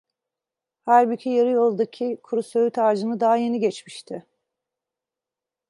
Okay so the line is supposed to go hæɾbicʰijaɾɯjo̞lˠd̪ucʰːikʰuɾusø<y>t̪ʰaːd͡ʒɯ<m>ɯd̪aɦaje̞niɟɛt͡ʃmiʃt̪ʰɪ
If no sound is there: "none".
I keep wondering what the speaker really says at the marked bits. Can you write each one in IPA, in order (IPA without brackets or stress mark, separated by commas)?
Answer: y, n